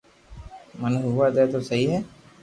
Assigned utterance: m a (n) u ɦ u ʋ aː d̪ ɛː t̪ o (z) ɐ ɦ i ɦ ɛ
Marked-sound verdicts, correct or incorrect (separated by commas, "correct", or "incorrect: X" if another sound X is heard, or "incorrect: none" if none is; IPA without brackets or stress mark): correct, incorrect: s